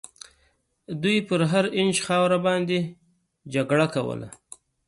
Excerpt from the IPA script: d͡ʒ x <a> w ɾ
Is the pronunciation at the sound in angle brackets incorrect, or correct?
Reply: incorrect